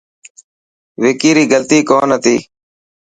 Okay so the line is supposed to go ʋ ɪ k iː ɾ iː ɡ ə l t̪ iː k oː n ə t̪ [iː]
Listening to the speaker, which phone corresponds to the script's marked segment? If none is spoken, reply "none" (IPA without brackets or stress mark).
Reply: iː